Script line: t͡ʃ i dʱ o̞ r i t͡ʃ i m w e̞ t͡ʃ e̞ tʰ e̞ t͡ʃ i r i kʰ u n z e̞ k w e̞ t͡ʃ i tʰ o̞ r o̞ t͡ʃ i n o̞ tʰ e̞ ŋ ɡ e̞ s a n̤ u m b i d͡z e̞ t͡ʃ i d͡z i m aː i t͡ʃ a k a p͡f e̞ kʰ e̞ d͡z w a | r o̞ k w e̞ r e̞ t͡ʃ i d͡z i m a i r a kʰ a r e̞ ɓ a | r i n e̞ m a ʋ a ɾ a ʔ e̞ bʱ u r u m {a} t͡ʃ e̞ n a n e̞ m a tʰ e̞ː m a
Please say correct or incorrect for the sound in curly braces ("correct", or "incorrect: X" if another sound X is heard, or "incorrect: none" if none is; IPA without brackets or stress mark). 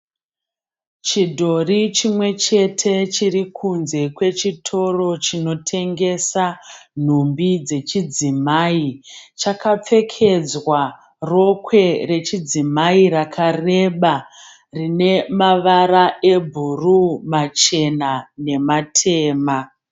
correct